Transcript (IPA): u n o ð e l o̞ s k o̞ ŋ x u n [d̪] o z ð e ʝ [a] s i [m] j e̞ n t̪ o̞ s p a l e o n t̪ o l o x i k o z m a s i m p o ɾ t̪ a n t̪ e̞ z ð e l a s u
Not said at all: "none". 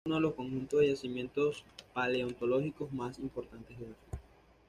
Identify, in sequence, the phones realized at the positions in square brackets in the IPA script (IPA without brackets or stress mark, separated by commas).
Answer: t̪, a, m